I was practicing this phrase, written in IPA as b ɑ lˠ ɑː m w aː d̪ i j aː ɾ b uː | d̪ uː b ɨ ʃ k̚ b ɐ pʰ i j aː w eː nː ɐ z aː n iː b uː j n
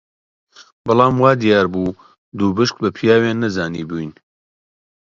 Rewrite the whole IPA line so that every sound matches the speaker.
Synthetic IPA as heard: b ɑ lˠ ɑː m w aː d̪ i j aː ɾ b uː | d̪ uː b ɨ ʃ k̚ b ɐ pʰ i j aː w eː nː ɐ z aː n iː b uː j n